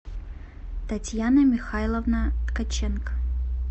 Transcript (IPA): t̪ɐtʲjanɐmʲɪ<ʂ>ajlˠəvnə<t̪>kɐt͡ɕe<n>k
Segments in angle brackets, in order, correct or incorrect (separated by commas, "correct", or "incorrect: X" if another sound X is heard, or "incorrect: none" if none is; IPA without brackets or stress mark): incorrect: x, correct, correct